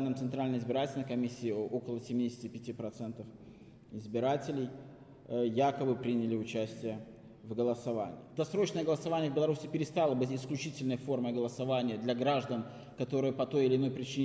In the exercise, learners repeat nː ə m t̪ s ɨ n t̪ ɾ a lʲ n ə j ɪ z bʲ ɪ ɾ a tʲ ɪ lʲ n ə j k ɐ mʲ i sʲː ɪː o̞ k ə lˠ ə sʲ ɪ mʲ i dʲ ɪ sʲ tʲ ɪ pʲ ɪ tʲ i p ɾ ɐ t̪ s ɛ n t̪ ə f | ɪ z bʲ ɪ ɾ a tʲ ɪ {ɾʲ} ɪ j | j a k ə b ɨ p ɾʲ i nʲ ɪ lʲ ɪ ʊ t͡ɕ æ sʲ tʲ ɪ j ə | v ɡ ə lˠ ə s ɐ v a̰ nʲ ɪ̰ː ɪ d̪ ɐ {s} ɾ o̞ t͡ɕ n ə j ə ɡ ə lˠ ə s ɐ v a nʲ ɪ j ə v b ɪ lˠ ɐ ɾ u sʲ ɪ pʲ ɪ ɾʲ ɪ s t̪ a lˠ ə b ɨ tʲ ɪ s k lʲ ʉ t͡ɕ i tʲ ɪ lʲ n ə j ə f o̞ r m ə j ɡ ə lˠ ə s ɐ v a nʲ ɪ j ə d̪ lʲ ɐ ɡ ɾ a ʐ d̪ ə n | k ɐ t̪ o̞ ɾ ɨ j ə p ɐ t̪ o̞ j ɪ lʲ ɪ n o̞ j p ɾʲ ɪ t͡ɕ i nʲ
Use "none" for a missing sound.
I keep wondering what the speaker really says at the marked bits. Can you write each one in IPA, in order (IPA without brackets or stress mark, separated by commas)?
lʲ, s